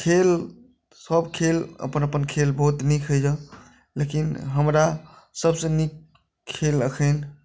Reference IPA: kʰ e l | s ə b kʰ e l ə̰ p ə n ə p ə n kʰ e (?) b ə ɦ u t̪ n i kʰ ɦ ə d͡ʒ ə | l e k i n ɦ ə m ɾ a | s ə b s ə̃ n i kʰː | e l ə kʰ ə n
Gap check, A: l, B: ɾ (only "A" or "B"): A